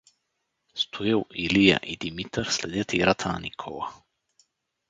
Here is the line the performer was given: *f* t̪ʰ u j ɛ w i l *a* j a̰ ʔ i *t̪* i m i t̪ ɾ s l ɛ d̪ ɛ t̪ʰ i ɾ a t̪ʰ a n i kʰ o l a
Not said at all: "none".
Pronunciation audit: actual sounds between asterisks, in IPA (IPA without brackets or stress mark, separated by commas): s, i, d̪